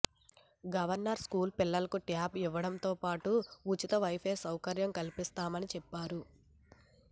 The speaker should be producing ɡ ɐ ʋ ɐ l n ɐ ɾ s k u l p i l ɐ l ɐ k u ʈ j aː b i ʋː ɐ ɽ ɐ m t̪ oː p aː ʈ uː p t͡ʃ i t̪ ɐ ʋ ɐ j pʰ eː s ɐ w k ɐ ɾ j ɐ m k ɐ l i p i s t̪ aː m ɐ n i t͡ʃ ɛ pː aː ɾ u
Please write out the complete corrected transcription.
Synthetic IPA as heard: ɡ ɐ ʋ ɐ ɾ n ɐ ɾ s k uː l p i lː ɐ l ɐ k u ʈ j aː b i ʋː ɐ ɽ ɐ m t̪ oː p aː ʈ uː t͡ʃ i t̪ ɐ ʋ ɐ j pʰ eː s ɐ w k ɐ ɾ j ɐ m k ɐ l i p i s t̪ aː m ɐ n i t͡ʃ ɛ pː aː ɾ u

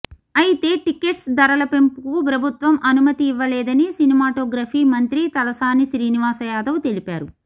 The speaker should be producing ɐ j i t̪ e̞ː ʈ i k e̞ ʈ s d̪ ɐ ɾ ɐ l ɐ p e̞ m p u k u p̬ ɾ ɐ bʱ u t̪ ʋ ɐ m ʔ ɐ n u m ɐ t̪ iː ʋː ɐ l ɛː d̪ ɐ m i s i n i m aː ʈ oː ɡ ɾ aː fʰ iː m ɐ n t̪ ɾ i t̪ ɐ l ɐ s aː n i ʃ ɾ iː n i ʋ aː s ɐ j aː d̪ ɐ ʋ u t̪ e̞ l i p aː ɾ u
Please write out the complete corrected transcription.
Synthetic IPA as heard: ɐ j i t̪ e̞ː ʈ i k e̞ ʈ s d̪ ɐ ɾ ɐ l ɐ p e̞ m p u k u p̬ ɾ ɐ bʱ u t̪ ʋ ɐ m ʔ ɐ n u m ɐ t̪ iː ʋː ɐ l ɛː d̪ ɐ n i s i n i m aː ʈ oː ɡ ɾ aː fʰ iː m ɐ n t̪ ɾ i t̪ ɐ l ɐ s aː n i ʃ ɾ iː n i ʋ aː s ɐ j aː d̪ ɐ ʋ u t̪ e̞ l i p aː ɾ u

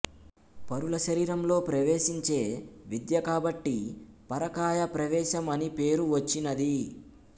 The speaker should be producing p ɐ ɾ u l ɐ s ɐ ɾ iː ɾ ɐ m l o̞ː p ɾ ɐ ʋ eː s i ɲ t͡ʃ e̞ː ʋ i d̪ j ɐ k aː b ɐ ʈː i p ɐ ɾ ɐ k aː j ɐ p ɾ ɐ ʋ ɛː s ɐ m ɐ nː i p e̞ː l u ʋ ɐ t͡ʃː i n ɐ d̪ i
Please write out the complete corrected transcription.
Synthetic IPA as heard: p ɐ ɾ u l ɐ ʃ ɐ ɾ iː ɾ ɐ m l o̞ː p ɾ ɐ ʋ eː ʃ i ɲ t͡ʃ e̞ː ʋ i d̪ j ɐ k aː b ɐ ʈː i p ɐ ɾ ɐ k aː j ɐ p ɾ ɐ ʋ ɛː ʃ ɐ m ɐ n i p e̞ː ɾ u ʋ ɐ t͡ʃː i n ɐ d̪ i

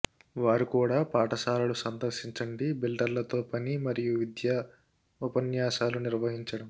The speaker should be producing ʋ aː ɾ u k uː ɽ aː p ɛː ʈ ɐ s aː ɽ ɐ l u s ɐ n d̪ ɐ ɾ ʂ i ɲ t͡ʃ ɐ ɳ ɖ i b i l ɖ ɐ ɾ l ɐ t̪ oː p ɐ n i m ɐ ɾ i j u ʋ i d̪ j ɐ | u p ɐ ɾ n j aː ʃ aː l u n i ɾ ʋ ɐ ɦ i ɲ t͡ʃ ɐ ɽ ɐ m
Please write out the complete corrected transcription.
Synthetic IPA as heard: ʋ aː ɾ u k uː ɽ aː p aː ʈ ɐ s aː l ɐ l u s ɐ n d̪ ɐ ɾ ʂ i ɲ t͡ʃ ɐ ɳ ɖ i b i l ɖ ɐ ɾ l ɐ t̪ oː p ɐ n i m ɐ ɾ i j u ʋ i d̪ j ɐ | u p ɐ n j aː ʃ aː l u n i ɾ ʋ ɐ ɦ i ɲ t͡ʃ ɐ ɽ ɐ m

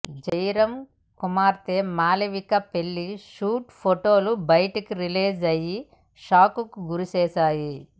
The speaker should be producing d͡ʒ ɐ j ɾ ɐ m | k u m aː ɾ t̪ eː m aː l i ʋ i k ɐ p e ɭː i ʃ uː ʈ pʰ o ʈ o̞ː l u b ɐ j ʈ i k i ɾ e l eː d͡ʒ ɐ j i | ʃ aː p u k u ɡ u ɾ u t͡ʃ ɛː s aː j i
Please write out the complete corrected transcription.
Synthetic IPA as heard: d͡ʒ ɐ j ɾ ɐ m | k u m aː ɾ t̪ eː m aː l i ʋ i k ɐ p e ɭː i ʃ uː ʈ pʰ o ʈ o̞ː l u b ɐ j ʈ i k i ɾ i l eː d͡ʒ ɐ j i | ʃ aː k u k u ɡ u ɾ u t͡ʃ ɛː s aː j i

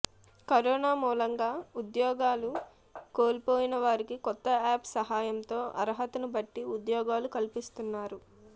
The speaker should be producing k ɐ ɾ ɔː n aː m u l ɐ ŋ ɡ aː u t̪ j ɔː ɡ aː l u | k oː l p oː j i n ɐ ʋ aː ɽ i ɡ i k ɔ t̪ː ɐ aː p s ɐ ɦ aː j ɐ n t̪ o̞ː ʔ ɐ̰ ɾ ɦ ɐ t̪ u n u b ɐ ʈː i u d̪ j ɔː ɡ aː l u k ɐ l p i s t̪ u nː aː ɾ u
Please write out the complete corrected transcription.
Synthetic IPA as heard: k ɐ ɾ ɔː n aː m uː l ɐ ŋ ɡ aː u d̪ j ɔː ɡ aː l u | k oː l p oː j i n ɐ ʋ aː ɾ i k i k ɔ t̪ː ɐ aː p s ɐ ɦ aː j ɐ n t̪ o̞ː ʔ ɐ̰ ɾ ɦ ɐ t̪ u n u b ɐ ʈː i u d̪ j ɔː ɡ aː l u k ɐ l p i s t̪ u nː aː ɾ u

